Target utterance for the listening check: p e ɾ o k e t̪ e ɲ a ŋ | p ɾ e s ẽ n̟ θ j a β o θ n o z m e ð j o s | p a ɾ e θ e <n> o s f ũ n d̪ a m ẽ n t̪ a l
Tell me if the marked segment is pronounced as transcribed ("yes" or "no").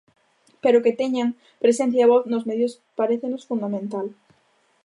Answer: yes